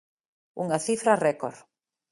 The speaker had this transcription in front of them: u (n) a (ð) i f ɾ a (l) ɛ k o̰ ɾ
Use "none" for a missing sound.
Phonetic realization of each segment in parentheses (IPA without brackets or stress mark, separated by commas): ŋ, θ, r